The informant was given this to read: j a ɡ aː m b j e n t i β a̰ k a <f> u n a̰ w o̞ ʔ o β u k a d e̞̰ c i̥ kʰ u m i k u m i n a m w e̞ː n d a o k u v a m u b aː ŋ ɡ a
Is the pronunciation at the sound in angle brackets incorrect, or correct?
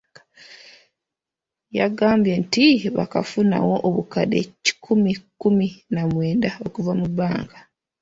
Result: correct